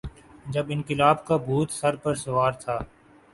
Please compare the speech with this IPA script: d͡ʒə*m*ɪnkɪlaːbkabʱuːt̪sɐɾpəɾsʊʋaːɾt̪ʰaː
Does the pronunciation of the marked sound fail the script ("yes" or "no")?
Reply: yes